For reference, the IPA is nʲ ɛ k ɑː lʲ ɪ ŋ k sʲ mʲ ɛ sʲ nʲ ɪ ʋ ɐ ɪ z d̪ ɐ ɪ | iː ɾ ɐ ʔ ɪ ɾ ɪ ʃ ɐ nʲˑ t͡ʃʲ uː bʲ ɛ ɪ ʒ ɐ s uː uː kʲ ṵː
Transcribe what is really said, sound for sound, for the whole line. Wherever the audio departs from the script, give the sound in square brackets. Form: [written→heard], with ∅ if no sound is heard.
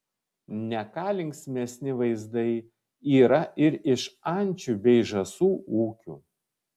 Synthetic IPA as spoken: nʲ ɛ k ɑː lʲ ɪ ŋ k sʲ mʲ ɛ sʲ nʲ ɪ ʋ ɐ ɪ z d̪ ɐ ɪ | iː ɾ ɐ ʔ ɪ ɾ ɪ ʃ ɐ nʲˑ t͡ʃʲ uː bʲ ɛ ɪ ʒ ɐ s uː uː kʲ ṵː